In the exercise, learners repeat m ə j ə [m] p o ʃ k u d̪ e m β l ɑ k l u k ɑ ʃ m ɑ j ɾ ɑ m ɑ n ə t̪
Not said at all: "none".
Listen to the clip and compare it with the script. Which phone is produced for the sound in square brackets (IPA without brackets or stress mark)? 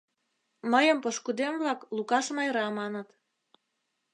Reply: m